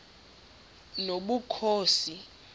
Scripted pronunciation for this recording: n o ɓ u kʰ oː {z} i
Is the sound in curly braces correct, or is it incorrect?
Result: incorrect: s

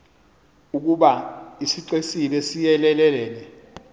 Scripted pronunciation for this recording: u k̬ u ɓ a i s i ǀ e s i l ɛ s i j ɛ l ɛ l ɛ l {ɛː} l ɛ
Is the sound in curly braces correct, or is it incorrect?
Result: correct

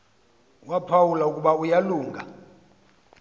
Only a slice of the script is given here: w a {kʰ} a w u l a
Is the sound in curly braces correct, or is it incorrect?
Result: incorrect: pʰ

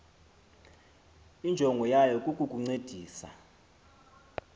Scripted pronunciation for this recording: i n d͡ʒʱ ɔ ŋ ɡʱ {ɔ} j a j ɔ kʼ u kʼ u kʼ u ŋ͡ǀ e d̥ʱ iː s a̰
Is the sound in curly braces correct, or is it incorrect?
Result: correct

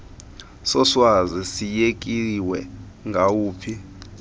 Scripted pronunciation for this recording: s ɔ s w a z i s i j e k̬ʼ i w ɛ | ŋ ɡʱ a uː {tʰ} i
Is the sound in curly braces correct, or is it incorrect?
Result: incorrect: pʰ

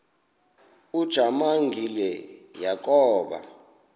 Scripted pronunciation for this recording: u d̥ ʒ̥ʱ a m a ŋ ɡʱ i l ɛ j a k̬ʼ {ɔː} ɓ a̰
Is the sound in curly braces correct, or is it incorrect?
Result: correct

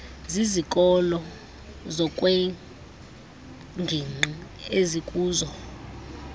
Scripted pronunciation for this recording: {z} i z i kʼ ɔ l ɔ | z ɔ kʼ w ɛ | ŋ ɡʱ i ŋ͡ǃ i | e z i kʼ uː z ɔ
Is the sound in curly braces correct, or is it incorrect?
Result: correct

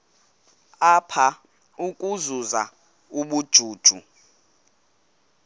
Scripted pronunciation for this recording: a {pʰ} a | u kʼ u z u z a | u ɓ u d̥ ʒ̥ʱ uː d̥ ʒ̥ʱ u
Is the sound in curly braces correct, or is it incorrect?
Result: correct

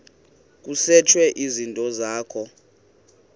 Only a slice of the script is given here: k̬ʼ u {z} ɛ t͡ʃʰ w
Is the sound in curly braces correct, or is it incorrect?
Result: incorrect: s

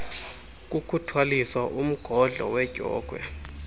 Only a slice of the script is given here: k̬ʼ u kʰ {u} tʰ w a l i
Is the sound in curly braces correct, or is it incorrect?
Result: correct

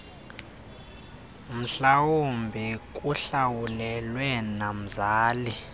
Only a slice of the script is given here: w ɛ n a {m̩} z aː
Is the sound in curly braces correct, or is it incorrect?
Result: correct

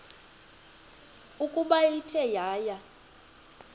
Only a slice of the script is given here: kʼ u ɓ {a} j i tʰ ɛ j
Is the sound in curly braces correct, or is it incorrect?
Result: correct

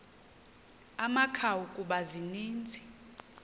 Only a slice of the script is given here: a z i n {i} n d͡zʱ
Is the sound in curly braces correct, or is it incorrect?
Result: incorrect: iː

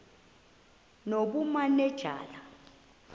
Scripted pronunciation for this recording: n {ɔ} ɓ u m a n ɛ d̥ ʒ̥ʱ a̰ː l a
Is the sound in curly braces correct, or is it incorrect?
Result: incorrect: o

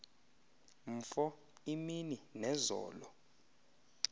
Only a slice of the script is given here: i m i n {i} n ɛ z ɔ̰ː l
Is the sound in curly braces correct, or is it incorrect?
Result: correct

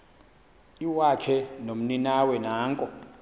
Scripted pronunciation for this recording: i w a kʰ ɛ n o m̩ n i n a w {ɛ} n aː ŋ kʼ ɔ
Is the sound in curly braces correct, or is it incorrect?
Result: correct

